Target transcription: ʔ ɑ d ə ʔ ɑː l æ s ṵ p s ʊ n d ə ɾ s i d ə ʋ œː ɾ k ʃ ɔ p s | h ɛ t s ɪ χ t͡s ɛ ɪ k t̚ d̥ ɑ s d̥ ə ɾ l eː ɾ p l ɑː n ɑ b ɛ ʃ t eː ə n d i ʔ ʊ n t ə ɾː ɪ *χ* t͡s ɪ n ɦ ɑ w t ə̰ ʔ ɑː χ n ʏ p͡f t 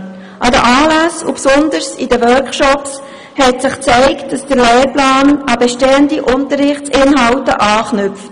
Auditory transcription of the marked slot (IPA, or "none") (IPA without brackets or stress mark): χ